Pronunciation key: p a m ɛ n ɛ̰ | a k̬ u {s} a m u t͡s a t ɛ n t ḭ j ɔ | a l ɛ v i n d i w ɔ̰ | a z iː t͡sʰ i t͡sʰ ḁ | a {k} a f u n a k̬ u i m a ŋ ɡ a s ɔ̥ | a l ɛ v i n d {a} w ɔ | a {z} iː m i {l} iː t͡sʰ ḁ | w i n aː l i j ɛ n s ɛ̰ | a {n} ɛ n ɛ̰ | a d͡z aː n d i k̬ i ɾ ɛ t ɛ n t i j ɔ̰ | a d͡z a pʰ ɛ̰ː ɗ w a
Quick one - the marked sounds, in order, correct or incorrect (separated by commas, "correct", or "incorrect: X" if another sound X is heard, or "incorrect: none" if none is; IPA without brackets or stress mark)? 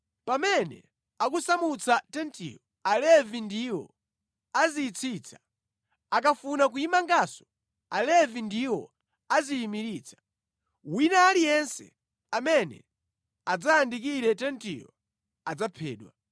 correct, correct, incorrect: i, correct, incorrect: ɾ, incorrect: m